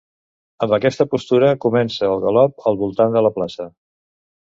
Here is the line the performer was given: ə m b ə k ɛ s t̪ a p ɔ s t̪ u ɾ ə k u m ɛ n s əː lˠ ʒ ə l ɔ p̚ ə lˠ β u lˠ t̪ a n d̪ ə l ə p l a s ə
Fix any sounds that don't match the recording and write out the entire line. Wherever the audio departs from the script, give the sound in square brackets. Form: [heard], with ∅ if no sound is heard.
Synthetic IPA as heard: ə m b ə k ɛ s t̪ [ə] p [u] s t̪ u ɾ ə k u m ɛ n s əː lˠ [ɣ] ə l ɔ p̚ ə lˠ β u lˠ t̪ a n d̪ ə l ə p l a s ə